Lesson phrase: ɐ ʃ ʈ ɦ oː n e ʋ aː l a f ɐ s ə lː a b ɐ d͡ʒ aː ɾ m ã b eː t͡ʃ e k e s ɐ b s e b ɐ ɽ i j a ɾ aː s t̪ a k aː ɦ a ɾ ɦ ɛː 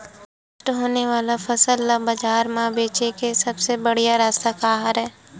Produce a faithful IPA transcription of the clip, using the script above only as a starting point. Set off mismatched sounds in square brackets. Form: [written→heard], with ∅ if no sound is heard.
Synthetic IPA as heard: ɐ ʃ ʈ ɦ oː n e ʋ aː l a f ɐ s ə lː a b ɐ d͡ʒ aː ɾ m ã b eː t͡ʃ e k e s ɐ b s e b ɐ ɽ i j a ɾ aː s t̪ a k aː ɦ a ɾ ɦ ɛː